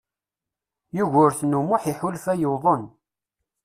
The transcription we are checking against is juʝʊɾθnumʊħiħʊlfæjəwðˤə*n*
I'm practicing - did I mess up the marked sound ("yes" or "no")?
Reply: no